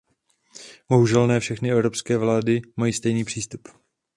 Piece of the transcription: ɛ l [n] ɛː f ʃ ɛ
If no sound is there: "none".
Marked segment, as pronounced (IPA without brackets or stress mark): n